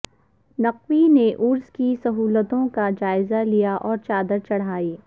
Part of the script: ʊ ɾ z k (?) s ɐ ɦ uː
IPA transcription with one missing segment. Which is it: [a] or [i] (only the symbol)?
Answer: i